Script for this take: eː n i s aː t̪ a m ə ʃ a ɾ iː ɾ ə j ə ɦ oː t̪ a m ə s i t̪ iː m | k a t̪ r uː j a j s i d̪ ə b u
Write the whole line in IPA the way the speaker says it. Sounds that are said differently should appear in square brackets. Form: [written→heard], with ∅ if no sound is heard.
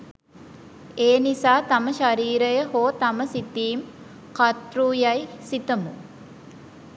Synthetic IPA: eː n i s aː t̪ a m ə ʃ a ɾ iː ɾ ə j ə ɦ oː t̪ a m ə s i t̪ iː m | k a t̪ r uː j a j s i [d̪→t̪] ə [b→m] u